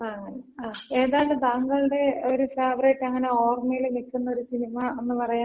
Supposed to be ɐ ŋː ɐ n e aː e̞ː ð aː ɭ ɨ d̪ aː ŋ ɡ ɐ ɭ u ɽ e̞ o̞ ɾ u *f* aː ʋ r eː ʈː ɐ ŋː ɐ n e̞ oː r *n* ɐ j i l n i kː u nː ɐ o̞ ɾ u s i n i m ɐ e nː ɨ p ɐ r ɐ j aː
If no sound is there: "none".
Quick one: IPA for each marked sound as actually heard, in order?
f, m

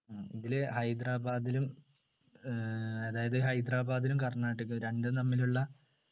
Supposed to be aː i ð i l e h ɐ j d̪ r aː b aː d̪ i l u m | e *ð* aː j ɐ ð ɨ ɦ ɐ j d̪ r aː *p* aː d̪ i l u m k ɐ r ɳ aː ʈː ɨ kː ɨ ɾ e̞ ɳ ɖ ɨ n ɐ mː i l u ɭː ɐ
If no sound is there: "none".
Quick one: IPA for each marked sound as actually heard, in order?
ð, b

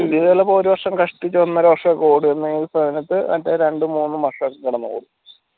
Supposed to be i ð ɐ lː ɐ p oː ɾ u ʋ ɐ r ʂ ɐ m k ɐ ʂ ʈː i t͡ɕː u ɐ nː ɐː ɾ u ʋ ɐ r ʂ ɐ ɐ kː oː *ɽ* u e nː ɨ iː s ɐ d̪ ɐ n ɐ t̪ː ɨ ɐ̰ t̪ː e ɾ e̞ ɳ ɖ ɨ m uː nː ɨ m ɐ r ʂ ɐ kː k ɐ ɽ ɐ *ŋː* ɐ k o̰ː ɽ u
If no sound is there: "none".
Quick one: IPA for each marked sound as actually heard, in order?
ɽ, nː

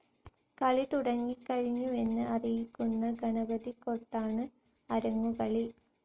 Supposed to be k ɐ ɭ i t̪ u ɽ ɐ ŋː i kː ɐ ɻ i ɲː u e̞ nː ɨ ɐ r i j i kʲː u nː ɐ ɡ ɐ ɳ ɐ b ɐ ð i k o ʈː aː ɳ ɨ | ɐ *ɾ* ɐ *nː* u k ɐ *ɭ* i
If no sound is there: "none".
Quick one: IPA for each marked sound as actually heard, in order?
ɾ, ŋː, ɭ

